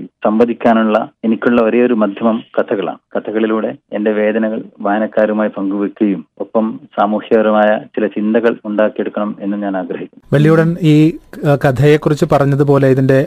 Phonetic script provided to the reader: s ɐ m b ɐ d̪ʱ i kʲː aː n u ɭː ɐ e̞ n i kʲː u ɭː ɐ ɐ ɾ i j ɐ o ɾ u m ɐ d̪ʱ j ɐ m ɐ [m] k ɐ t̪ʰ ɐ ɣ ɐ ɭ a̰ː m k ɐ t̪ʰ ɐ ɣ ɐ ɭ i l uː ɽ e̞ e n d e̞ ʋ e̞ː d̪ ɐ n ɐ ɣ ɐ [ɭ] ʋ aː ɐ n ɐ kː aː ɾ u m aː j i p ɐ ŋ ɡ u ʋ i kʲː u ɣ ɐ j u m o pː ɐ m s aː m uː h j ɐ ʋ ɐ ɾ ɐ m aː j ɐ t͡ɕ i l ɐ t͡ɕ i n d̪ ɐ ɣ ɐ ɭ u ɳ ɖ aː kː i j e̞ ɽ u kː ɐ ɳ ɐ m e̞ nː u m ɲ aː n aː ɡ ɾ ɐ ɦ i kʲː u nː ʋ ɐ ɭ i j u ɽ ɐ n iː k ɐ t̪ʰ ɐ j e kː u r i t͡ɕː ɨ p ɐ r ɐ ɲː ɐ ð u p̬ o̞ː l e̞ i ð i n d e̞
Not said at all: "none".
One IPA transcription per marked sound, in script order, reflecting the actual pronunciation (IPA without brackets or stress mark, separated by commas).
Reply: m, ɭ